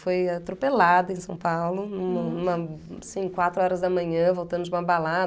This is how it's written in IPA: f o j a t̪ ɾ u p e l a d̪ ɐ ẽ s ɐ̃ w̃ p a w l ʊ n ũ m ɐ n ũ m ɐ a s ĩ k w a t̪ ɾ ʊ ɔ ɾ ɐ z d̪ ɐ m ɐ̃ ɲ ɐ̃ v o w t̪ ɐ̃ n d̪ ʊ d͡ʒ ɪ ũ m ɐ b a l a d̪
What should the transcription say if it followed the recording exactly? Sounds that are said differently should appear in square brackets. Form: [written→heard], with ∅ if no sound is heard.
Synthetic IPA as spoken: f o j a t̪ ɾ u p e l a d̪ ɐ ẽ s ɐ̃ w̃ p a w l ʊ n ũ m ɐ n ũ m ɐ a s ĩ k w a t̪ ɾ ʊ ɔ ɾ ɐ z d̪ ɐ m ɐ̃ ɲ ɐ̃ v o w t̪ ɐ̃ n d̪ ʊ d͡ʒ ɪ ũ m ɐ b a l a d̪